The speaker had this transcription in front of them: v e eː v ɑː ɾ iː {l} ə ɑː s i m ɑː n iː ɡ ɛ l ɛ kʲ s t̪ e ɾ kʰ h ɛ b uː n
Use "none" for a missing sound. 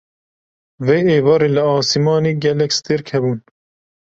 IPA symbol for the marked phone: l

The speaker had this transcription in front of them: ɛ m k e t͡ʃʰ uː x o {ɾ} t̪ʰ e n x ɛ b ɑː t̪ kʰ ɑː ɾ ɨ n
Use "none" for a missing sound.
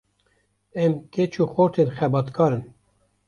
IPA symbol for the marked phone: ɾ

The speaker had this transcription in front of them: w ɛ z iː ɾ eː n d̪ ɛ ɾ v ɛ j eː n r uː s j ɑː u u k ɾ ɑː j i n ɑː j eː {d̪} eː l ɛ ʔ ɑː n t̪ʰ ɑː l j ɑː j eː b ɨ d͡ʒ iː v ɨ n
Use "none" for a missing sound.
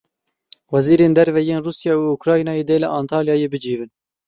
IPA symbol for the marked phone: d̪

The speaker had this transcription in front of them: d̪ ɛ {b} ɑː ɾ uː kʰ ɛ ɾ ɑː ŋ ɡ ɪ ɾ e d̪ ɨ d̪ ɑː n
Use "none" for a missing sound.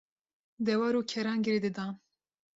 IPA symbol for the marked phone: w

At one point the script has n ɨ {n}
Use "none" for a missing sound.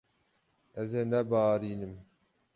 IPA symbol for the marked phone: m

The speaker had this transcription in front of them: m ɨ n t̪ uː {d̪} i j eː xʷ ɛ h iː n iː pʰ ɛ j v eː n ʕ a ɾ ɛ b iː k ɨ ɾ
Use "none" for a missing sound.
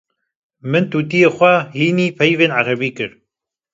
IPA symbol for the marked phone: t̪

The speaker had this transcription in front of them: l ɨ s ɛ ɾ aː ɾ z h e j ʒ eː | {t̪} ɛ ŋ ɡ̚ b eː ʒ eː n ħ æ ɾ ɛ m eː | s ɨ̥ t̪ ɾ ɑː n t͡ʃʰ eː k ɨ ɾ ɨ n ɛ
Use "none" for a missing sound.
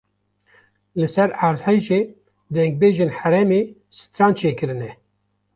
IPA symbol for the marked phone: d̪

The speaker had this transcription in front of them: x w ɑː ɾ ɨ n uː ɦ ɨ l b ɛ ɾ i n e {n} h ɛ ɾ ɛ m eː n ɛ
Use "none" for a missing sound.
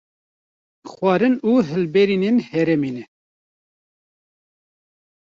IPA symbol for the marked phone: n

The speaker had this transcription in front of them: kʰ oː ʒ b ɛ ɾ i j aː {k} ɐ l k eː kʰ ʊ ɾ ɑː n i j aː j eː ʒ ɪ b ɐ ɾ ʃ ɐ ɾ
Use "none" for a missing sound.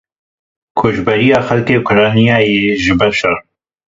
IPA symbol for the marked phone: x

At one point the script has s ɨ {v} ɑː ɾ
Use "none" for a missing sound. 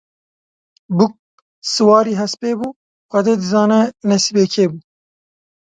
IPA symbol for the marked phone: w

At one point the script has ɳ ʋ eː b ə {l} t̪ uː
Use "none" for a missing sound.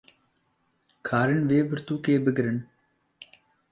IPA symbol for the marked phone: ɾ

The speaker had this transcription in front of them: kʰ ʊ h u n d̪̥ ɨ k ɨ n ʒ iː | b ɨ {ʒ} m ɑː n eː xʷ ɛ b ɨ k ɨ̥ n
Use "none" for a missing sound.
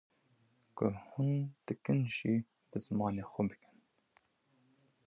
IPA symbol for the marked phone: z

